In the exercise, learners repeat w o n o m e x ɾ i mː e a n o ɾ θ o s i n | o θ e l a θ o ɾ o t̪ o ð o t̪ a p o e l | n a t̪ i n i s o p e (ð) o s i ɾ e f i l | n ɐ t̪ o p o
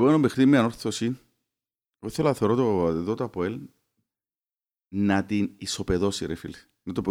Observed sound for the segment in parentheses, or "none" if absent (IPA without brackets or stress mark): ð